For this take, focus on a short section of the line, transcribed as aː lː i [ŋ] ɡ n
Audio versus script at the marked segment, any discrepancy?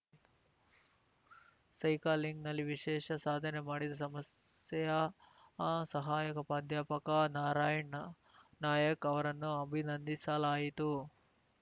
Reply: no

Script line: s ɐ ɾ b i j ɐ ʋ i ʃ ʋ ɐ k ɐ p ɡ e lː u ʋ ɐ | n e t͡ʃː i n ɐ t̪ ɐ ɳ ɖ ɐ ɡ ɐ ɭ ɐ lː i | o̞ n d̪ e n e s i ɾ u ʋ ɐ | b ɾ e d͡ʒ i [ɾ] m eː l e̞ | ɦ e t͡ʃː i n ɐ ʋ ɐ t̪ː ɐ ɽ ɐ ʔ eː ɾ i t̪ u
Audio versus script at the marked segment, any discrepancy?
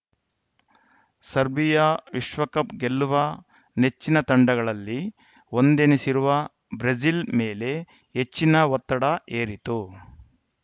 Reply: yes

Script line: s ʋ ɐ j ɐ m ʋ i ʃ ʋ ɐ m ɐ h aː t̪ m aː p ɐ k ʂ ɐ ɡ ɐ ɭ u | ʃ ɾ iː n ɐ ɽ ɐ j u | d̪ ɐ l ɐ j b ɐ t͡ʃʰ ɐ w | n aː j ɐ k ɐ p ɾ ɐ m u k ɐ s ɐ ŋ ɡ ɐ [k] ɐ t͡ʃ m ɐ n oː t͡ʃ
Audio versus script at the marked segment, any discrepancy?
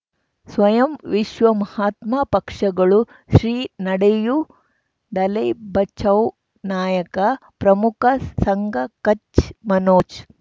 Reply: no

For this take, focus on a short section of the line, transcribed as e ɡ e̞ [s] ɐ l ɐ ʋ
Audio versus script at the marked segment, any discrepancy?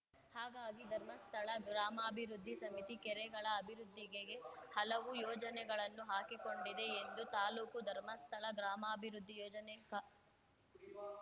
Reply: yes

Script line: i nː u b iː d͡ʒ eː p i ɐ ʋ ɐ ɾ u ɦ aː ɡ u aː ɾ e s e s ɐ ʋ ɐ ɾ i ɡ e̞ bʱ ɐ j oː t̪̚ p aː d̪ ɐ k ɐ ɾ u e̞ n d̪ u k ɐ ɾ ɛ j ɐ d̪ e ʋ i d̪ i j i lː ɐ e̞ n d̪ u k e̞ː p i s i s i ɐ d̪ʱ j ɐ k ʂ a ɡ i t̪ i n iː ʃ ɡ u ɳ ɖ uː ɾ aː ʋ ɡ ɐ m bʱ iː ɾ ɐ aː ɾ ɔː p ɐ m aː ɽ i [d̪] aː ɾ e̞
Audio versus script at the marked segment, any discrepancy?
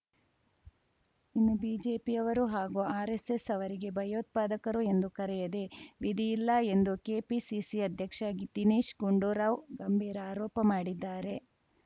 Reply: yes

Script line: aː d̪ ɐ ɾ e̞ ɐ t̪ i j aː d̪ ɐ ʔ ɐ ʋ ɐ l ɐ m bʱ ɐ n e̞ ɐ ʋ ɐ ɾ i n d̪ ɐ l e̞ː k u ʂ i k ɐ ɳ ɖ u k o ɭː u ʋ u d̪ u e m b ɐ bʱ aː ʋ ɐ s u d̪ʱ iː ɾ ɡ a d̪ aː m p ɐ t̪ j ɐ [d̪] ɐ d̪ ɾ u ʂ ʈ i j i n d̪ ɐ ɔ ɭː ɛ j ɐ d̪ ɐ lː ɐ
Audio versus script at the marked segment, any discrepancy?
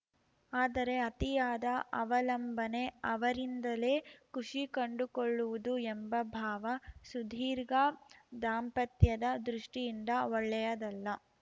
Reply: no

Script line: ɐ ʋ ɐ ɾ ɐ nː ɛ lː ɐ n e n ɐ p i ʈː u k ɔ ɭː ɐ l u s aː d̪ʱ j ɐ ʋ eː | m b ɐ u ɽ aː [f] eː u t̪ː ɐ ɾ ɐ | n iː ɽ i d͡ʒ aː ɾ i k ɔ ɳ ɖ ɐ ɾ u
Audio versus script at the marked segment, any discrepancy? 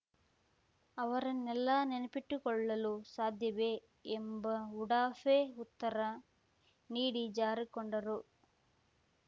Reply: no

